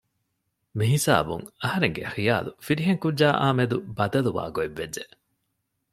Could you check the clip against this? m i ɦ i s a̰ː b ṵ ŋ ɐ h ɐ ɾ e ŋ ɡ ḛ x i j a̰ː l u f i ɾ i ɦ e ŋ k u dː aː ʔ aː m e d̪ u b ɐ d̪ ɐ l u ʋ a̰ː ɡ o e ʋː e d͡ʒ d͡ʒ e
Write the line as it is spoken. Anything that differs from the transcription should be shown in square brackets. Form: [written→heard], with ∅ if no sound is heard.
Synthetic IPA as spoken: m i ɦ i s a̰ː b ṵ ŋ ɐ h ɐ ɾ e ŋ ɡ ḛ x i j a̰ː l u f i ɾ i ɦ e ŋ k u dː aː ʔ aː m e d̪ u b ɐ d̪ ɐ l u ʋ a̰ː ɡ o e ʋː e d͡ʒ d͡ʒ e